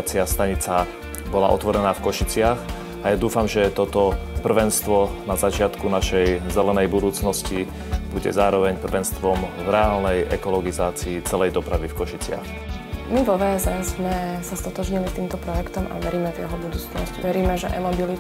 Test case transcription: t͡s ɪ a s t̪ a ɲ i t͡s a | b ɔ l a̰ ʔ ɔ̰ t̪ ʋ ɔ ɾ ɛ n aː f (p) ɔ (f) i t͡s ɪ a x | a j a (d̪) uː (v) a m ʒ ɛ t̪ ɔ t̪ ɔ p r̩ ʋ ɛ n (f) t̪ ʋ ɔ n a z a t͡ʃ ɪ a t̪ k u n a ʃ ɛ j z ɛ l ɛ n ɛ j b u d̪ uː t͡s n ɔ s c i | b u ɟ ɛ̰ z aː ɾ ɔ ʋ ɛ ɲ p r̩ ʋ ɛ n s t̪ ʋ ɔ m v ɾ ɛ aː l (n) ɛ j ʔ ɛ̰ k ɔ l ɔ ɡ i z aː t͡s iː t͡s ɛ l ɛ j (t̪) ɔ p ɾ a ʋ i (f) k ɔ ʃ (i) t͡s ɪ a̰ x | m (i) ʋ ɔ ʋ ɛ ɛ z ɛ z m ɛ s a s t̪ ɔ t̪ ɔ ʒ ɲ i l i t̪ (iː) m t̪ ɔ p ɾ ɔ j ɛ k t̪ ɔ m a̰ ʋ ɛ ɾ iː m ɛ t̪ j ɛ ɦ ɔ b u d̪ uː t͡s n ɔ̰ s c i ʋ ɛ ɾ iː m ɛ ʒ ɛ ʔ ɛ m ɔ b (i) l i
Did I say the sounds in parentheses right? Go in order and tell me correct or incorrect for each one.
incorrect: k, incorrect: ʃ, correct, incorrect: f, incorrect: s, correct, incorrect: d̪, correct, correct, correct, correct, correct

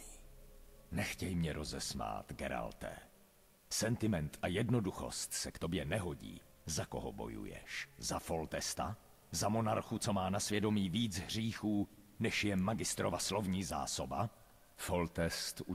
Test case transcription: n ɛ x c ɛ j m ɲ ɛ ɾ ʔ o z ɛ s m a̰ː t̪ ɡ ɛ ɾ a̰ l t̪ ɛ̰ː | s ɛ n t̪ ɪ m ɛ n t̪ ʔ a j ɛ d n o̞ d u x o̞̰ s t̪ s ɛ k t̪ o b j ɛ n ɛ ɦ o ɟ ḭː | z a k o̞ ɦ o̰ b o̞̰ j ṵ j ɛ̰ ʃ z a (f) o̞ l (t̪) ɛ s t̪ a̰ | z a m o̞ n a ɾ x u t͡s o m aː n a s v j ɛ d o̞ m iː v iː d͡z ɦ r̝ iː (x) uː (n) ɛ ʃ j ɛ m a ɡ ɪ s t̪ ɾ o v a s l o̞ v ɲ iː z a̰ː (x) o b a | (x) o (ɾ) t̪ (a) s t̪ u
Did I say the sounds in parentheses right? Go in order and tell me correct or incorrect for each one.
correct, correct, correct, correct, incorrect: s, incorrect: f, incorrect: l, incorrect: ɛ

